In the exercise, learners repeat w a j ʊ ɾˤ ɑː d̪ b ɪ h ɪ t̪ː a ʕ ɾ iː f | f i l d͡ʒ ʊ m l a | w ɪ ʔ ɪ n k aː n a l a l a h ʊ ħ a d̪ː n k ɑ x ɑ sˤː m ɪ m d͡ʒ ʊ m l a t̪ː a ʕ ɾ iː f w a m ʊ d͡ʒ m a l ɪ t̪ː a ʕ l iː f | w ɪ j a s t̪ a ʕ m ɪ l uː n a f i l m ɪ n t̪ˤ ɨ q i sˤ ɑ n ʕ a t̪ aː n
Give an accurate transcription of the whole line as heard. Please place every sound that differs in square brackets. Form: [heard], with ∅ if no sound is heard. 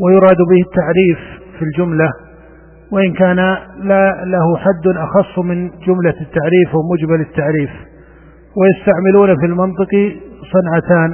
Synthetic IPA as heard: w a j ʊ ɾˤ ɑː d̪ b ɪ h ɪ t̪ː a ʕ ɾ iː f | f i l d͡ʒ ʊ m l a | w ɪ ʔ ɪ n k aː n a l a l a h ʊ ħ a d̪ː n [ʔ] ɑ x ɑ sˤː m ɪ [n] d͡ʒ ʊ m l a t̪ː a ʕ ɾ iː f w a m ʊ d͡ʒ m a l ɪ t̪ː a ʕ [ɾ] iː f | w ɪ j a s t̪ a ʕ m ɪ l uː n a f i l m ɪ n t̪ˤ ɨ q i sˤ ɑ n ʕ a t̪ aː n